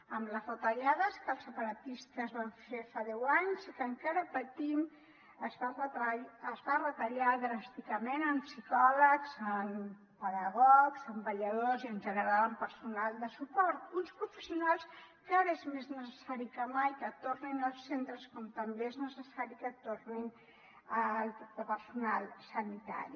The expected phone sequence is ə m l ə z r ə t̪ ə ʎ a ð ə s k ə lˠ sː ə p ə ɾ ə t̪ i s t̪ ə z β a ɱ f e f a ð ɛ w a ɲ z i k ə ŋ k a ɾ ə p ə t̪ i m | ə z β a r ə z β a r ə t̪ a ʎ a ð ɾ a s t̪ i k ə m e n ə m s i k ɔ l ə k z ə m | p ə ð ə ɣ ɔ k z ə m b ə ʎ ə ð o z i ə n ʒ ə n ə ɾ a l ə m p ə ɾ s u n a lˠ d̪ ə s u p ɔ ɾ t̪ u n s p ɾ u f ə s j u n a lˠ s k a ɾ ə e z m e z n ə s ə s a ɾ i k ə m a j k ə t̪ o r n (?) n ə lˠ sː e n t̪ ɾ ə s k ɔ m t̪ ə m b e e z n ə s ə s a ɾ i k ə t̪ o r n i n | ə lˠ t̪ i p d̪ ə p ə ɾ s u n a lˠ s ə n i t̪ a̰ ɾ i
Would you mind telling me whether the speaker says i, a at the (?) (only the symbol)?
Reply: i